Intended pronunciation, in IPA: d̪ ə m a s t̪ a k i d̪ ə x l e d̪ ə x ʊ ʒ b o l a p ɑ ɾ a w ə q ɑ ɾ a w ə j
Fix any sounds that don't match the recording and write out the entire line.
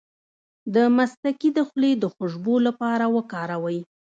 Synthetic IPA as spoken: d̪ ə m a s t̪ a k i d̪ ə x l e d̪ ə x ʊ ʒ b o l a p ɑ ɾ a w ə k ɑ ɾ a w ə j

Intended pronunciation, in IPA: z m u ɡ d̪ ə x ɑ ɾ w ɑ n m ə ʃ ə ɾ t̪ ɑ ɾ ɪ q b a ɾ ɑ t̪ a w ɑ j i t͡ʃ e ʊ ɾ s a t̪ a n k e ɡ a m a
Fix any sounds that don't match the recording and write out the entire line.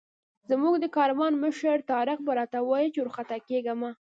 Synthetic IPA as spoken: z m u ɡ d̪ ə k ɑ ɾ w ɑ n m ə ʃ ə ɾ t̪ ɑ ɾ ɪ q b a ɾ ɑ t̪ a w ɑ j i t͡ʃ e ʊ ɾ x a t̪ a k e ɡ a m a

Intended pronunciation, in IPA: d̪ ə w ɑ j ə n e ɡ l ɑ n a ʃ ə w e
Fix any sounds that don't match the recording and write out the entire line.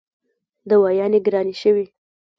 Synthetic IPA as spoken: d̪ ə w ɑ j ɑ n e ɡ ɾ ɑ n i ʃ ə w i

